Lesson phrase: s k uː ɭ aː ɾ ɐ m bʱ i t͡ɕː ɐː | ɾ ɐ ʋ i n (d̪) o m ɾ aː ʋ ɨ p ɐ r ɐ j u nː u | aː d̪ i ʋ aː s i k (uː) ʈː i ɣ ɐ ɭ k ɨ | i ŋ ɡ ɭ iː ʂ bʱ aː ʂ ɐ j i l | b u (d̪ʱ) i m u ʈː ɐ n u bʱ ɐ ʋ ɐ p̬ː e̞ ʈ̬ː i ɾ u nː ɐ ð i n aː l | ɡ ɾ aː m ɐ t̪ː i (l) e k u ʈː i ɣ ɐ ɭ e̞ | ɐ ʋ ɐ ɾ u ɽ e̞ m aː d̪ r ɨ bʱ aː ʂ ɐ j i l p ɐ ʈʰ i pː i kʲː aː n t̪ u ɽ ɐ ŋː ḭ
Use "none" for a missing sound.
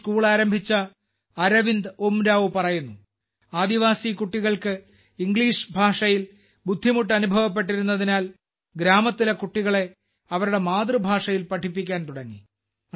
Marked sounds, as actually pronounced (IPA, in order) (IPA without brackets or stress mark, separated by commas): d̪, u, d̪ʱː, l